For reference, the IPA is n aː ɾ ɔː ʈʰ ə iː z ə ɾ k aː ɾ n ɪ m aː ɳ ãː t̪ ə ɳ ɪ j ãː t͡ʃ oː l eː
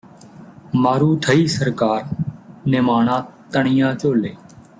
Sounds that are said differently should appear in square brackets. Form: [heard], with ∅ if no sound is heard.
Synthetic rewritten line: [m] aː ɾ [uː] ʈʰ ə iː [s] ə ɾ k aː ɾ n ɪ m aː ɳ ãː t̪ ə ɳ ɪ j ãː t͡ʃ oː l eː